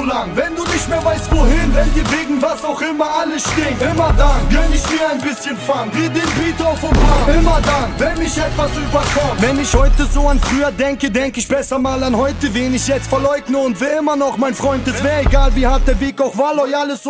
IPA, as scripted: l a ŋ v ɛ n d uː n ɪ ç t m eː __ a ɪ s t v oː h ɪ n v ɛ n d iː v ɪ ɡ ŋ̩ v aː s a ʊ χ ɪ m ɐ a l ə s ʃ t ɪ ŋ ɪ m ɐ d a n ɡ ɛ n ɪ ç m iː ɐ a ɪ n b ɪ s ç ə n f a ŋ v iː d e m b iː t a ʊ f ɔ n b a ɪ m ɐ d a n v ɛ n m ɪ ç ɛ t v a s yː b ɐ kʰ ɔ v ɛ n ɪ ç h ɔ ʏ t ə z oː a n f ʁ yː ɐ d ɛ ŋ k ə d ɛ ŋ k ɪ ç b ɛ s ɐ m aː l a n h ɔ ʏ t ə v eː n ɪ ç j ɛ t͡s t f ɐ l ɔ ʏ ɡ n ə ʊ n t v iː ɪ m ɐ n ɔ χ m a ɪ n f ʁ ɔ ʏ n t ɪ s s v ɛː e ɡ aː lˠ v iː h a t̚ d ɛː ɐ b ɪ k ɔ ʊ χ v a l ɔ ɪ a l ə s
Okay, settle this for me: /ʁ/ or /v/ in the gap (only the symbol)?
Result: v